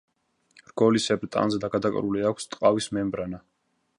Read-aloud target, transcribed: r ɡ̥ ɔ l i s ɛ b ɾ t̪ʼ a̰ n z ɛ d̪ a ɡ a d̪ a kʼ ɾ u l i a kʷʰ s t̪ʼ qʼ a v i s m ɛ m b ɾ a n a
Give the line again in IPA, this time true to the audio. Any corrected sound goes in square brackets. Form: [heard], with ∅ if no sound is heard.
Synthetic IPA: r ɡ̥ ɔ l i s ɛ b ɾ t̪ʼ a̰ n z ɛ d̪ a ɡ a d̪ a kʼ ɾ u l i a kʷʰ s t̪ʼ qʼ a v i s m ɛ m b ɾ a n a